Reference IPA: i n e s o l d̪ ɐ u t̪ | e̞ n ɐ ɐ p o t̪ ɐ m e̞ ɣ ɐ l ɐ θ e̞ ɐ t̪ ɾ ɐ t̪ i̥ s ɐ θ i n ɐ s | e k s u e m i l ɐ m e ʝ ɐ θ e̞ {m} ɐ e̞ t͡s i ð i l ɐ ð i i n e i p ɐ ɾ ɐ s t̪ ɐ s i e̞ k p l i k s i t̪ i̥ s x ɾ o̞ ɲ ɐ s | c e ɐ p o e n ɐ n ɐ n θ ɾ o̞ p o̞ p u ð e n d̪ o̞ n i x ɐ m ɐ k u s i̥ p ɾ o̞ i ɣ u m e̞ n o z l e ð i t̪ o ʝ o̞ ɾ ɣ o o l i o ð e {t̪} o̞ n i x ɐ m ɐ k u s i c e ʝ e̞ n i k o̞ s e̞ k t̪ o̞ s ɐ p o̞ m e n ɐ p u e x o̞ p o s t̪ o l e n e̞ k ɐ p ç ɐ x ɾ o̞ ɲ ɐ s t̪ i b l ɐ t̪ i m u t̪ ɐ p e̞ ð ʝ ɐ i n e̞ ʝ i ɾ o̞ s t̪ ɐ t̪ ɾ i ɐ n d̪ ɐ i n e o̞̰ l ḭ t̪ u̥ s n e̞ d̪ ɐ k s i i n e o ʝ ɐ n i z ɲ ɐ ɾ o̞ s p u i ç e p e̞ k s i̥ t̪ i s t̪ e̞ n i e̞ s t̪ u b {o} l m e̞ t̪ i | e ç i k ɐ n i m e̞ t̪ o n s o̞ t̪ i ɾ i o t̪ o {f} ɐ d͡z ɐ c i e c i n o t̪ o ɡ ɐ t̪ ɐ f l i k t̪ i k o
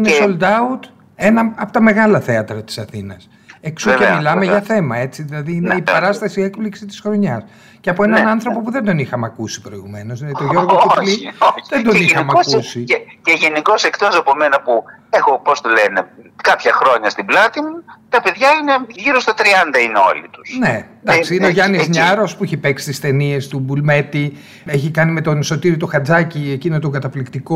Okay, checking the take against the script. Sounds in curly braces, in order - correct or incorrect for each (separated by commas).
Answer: correct, incorrect, incorrect, incorrect